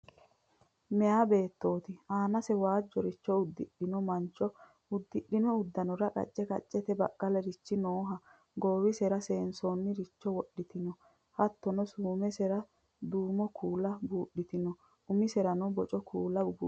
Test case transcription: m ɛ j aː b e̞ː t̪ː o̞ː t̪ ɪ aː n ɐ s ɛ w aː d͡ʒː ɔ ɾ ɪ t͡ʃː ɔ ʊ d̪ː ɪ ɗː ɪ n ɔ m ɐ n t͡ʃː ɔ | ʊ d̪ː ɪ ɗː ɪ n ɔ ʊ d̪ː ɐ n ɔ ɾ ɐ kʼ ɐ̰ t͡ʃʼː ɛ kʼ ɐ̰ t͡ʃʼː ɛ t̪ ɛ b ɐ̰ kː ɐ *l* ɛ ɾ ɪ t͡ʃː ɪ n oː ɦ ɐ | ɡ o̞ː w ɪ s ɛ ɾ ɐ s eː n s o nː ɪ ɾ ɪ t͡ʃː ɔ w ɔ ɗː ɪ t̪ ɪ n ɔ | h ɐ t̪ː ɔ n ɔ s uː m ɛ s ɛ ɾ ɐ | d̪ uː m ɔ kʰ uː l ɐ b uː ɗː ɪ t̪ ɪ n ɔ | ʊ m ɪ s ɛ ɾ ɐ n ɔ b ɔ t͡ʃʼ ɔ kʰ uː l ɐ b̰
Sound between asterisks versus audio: correct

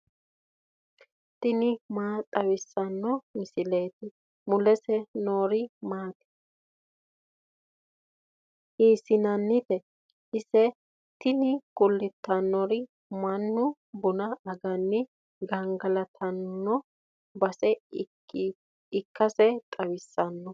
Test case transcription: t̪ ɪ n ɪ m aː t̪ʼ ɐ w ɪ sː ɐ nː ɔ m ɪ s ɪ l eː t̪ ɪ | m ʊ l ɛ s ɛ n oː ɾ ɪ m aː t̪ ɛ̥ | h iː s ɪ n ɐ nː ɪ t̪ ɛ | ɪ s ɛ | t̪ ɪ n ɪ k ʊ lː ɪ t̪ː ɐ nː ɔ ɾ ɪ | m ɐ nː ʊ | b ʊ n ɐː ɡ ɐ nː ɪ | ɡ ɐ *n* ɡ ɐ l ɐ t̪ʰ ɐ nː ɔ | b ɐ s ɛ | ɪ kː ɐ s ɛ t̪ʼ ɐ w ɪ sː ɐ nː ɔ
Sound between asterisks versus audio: incorrect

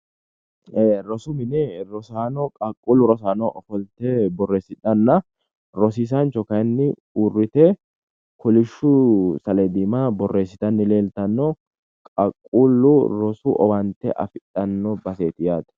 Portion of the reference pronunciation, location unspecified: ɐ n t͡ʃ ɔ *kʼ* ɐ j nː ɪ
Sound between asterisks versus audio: incorrect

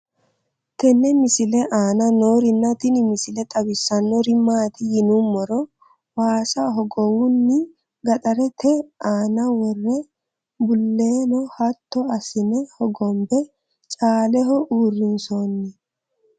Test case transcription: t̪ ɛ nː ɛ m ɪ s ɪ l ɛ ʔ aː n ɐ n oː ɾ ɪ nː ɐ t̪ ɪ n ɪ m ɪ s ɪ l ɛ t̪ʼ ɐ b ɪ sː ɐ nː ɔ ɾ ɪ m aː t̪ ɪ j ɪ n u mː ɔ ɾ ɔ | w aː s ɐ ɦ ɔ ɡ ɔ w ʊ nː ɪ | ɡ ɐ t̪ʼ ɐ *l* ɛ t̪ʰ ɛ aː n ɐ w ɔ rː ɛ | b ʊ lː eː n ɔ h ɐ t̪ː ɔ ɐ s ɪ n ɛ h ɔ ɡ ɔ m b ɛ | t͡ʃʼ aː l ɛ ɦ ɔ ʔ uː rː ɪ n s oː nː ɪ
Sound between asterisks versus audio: incorrect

